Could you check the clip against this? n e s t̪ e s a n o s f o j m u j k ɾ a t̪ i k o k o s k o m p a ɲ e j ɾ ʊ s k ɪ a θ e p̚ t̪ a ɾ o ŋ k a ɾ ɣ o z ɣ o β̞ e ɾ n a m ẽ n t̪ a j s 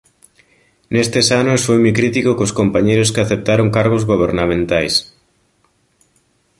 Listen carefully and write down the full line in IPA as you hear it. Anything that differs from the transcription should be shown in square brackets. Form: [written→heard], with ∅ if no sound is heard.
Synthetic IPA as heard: n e s t̪ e s a n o s f o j m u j k ɾ [a→i] t̪ i k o k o s k o m p a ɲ e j ɾ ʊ s k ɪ a θ e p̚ t̪ a ɾ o ŋ k a ɾ ɣ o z ɣ o β̞ e ɾ n a m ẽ n t̪ a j s